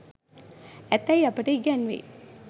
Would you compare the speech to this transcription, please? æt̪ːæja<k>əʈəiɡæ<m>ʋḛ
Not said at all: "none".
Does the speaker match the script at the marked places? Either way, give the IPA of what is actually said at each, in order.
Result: p, n

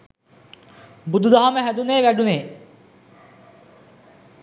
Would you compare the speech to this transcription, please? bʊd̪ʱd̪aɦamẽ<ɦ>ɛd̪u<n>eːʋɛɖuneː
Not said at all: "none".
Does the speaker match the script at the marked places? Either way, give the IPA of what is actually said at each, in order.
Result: ɦ, n

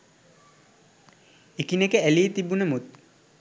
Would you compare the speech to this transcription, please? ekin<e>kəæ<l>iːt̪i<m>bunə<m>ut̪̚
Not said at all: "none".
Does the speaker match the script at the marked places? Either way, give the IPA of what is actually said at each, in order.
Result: e, l, none, m

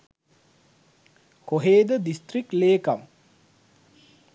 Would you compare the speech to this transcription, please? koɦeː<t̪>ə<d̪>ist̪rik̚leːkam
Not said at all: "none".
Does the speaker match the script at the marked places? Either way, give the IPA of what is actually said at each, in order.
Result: d̪, d̪

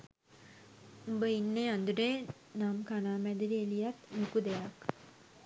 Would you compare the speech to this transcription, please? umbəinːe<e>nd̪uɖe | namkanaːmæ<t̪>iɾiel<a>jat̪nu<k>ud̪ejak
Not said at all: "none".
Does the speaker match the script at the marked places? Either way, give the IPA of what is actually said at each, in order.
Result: a, d̪, i, k

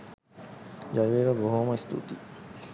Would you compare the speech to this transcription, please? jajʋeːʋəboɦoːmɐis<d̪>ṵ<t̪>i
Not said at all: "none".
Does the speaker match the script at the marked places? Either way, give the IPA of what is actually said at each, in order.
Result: t̪, t̪

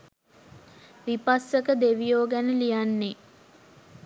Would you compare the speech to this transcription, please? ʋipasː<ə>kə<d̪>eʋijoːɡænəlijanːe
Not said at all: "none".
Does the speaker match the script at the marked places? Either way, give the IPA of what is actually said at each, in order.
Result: ə, d̪

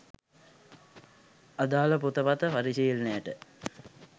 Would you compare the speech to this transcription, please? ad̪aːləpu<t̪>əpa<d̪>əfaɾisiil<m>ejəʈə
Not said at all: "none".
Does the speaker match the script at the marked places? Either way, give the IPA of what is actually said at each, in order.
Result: t̪, t̪, n

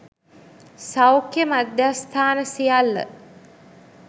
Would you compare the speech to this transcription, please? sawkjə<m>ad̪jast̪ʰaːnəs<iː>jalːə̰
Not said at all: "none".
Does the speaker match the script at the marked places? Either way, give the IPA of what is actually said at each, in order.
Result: m, i

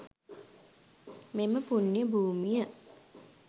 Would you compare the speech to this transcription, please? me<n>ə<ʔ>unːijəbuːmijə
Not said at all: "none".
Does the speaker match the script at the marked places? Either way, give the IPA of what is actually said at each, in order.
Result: m, p

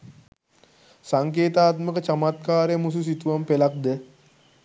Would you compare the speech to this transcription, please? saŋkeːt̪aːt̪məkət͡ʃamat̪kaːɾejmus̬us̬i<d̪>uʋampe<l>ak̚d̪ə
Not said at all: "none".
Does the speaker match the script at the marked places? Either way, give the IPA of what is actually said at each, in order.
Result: t̪, l

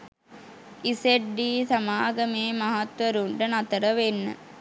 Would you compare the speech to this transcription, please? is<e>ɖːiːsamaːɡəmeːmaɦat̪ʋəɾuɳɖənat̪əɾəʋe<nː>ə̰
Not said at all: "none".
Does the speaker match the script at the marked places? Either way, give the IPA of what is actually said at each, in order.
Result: e, nː

